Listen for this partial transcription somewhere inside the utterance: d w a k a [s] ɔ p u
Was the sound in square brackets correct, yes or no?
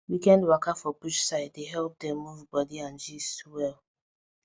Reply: no